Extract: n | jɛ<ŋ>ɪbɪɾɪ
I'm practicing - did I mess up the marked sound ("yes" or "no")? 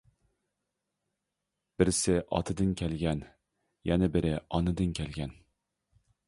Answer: yes